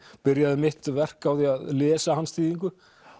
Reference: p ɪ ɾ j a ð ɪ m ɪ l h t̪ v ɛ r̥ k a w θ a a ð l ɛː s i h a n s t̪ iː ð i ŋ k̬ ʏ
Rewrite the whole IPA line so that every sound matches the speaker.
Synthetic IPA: p ɪ ɾ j a ð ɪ m ɪ h t̪ v ɛ r̥ k a w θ i a ð l ɛː s a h a n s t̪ iː ð i ŋ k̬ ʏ